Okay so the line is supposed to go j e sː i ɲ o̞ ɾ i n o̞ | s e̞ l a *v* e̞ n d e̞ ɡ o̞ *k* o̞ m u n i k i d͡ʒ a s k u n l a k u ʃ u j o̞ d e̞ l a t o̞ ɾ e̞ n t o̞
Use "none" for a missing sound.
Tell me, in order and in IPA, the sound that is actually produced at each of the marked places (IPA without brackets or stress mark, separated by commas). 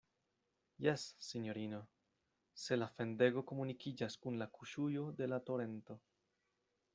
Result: f, k